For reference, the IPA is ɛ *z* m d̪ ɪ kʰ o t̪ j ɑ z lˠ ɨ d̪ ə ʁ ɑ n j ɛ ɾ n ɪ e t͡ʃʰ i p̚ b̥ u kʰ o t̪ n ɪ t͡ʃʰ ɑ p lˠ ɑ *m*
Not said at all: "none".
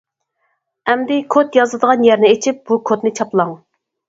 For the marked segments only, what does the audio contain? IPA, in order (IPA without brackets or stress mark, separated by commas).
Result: none, ŋ